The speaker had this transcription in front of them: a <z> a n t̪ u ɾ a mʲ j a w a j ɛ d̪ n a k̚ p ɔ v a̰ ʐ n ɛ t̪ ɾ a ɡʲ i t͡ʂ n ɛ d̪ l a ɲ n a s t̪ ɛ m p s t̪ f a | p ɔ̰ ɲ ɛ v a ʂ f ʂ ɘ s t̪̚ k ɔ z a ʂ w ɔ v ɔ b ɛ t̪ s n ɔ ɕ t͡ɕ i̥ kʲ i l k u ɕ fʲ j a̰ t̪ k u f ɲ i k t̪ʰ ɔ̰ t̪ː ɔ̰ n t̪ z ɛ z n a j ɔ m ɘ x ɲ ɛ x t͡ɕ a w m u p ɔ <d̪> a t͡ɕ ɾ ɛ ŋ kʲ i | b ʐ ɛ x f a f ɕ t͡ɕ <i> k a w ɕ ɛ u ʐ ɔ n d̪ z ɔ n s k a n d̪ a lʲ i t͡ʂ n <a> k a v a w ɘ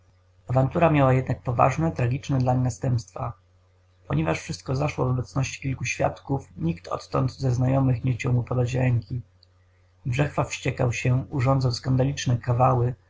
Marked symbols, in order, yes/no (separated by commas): no, yes, no, no